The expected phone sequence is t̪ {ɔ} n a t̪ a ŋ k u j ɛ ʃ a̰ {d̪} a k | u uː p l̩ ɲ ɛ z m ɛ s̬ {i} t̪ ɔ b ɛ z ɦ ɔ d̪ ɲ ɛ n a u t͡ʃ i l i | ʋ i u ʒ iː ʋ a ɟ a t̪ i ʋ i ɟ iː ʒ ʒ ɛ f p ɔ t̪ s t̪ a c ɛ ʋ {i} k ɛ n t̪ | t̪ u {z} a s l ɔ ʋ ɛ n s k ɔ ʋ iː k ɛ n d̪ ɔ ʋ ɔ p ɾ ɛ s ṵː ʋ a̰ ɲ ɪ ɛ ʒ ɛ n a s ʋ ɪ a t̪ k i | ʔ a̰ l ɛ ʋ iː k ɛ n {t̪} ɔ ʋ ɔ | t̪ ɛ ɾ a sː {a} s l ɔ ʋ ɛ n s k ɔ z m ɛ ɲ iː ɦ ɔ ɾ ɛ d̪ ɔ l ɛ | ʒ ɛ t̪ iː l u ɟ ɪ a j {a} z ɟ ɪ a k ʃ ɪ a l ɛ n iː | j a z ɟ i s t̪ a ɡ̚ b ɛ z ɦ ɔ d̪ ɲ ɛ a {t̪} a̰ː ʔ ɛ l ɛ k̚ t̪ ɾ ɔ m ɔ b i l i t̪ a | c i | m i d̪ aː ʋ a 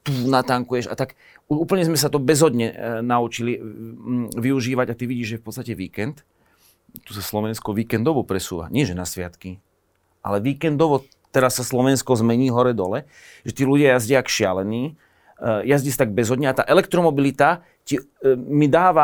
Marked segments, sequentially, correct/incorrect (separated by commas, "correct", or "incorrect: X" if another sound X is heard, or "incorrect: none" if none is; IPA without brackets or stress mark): incorrect: u, incorrect: t̪, incorrect: a, incorrect: iː, incorrect: s, incorrect: d̪, correct, correct, correct